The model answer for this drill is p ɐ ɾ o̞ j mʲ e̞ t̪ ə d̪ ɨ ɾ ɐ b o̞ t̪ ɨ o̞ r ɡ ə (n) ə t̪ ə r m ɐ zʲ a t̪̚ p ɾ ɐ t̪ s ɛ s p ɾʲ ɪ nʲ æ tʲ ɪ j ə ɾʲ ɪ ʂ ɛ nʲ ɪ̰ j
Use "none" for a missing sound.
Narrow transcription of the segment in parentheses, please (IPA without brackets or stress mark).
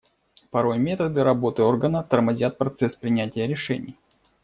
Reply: n